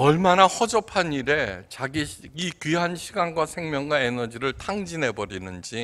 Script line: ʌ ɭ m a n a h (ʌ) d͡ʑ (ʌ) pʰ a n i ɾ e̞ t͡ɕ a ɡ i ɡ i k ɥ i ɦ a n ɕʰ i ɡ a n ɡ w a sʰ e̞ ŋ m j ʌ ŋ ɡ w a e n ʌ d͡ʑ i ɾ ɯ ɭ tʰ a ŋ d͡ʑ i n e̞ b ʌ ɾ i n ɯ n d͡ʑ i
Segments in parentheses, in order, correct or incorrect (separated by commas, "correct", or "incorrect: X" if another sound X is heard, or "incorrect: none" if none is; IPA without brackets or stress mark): correct, correct